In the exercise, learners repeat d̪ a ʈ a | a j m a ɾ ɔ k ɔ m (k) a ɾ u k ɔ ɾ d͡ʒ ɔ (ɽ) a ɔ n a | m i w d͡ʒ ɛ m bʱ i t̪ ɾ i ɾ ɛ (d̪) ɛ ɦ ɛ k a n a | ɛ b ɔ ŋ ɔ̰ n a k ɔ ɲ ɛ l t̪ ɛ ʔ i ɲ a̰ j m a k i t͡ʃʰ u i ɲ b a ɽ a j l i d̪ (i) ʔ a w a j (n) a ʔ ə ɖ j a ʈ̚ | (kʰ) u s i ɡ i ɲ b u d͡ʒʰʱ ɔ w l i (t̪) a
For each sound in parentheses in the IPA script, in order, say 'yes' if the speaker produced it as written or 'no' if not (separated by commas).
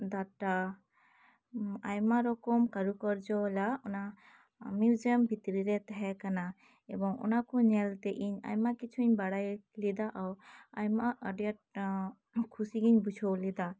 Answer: yes, no, no, no, no, yes, no